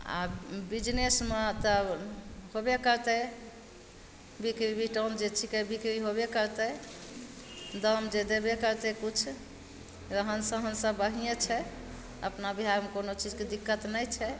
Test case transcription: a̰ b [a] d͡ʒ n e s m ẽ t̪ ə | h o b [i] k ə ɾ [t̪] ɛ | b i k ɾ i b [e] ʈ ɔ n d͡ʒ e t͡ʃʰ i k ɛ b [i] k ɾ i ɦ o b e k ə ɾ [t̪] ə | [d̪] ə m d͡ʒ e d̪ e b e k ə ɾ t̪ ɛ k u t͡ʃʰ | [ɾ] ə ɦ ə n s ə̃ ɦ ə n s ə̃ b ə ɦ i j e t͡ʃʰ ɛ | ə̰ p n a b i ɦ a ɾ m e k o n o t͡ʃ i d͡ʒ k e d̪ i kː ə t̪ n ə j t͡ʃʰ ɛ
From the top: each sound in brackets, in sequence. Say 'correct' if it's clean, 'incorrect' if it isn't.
incorrect: i, incorrect: e, correct, incorrect: i, correct, correct, correct, correct

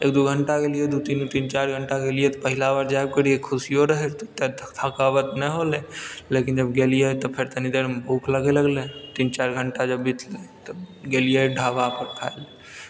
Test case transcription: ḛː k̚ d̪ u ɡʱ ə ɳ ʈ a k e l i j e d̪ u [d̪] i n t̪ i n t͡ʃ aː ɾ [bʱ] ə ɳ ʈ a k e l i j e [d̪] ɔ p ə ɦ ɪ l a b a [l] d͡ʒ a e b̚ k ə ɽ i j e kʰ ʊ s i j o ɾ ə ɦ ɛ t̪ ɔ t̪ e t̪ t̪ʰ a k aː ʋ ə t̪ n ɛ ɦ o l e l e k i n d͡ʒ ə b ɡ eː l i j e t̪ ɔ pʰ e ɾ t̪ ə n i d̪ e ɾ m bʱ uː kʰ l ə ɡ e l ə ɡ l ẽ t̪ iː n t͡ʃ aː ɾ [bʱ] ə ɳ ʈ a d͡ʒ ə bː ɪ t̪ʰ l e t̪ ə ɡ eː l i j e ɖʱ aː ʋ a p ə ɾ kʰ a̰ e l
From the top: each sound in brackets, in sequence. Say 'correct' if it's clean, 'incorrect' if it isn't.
incorrect: t̪, incorrect: ɡʱ, incorrect: t̪, incorrect: ɾ, incorrect: ɡʱ

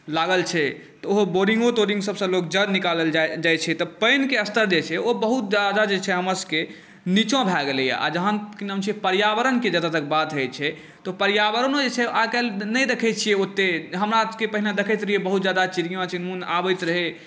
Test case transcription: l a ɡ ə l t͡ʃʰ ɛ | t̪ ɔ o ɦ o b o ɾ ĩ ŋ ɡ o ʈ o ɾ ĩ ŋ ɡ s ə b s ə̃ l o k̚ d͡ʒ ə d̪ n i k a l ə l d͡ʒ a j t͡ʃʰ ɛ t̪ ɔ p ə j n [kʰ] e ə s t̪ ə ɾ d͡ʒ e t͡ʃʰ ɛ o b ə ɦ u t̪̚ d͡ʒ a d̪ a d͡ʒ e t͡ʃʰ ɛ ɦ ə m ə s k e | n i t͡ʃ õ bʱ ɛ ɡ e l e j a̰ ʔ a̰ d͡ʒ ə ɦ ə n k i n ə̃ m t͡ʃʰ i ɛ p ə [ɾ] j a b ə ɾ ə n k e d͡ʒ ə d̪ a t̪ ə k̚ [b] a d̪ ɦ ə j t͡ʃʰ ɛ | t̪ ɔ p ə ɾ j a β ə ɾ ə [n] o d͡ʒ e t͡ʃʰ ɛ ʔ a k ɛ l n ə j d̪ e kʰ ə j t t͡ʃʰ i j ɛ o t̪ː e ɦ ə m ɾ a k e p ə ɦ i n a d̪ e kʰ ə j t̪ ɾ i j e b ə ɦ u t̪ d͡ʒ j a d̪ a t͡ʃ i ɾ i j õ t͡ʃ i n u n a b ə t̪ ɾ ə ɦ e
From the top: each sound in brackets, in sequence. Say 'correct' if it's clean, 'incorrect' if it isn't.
incorrect: k, correct, correct, correct

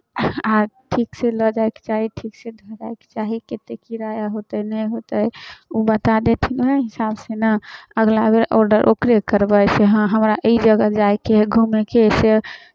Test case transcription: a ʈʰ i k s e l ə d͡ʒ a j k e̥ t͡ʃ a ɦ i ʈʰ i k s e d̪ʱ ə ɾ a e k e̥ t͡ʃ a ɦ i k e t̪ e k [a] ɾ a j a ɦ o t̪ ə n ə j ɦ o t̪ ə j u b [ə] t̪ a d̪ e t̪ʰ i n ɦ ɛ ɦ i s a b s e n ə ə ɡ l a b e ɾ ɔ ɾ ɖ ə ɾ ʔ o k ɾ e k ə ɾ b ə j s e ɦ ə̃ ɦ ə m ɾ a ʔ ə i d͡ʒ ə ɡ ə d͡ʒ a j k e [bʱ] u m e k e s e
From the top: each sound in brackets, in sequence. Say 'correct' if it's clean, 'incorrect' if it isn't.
incorrect: i, correct, incorrect: ɡʱ

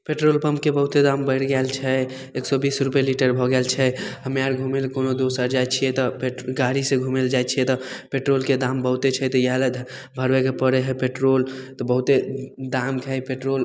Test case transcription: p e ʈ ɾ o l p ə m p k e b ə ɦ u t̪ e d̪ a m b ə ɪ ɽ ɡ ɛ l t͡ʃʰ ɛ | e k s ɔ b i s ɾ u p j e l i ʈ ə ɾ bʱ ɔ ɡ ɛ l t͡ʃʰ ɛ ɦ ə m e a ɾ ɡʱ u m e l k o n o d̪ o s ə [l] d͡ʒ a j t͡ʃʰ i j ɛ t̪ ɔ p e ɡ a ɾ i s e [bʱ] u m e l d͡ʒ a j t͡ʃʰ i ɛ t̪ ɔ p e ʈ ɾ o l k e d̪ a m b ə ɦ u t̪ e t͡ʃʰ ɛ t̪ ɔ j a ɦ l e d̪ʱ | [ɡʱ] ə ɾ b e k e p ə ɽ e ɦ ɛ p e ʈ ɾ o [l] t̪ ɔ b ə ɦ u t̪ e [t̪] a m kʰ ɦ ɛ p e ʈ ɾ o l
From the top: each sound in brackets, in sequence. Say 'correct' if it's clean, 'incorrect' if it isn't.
incorrect: ɾ, incorrect: ɡʱ, incorrect: bʱ, correct, incorrect: d̪

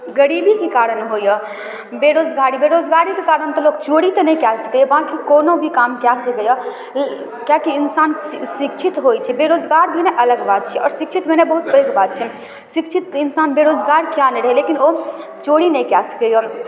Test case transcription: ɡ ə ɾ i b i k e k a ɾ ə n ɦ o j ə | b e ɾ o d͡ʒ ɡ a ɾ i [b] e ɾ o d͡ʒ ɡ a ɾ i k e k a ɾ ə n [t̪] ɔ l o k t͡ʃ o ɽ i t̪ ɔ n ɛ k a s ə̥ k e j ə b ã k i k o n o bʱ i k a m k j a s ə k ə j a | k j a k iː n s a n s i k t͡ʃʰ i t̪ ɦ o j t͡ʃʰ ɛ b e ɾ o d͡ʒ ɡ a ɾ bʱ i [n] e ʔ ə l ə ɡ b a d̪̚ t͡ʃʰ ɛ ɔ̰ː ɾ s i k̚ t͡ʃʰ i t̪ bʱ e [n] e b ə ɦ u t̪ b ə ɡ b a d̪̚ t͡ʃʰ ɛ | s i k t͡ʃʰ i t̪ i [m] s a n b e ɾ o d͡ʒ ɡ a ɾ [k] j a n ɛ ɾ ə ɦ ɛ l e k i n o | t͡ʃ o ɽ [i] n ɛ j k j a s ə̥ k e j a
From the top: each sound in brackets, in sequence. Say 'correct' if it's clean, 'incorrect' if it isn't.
correct, correct, correct, correct, incorrect: n, correct, correct

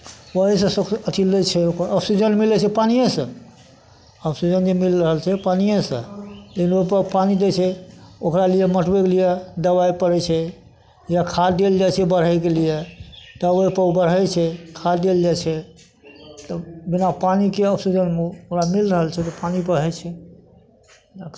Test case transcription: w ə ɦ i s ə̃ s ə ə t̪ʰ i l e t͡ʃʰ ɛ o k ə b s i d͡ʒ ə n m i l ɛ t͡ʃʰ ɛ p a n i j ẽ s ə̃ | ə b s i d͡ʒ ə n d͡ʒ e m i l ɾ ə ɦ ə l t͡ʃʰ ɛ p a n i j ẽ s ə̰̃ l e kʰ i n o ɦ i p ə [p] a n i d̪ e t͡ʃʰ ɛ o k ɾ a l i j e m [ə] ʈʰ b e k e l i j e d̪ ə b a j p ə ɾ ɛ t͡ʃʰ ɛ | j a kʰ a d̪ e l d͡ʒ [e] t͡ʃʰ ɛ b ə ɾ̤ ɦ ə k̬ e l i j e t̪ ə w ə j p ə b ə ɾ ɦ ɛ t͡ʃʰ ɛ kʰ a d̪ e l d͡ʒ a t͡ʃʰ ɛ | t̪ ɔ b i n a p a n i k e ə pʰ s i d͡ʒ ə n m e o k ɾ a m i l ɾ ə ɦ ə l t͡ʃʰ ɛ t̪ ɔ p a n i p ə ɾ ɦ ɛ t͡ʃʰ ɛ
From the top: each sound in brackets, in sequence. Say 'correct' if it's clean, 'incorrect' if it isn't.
correct, correct, incorrect: a

